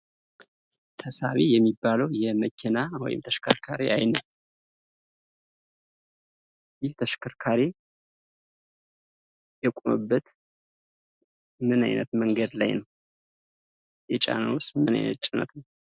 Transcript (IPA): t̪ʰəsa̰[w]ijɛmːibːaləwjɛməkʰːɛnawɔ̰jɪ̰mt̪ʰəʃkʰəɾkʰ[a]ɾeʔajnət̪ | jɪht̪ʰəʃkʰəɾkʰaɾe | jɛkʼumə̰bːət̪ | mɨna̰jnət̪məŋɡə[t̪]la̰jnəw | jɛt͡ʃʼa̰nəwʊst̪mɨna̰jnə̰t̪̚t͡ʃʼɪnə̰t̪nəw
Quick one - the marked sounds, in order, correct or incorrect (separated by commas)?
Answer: incorrect, correct, incorrect